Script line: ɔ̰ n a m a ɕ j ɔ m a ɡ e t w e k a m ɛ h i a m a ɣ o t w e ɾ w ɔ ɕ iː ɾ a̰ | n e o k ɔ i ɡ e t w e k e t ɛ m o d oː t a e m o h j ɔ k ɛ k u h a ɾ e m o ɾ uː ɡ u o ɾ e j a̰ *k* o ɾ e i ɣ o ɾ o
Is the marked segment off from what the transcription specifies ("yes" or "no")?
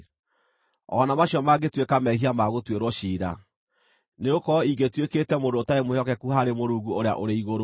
yes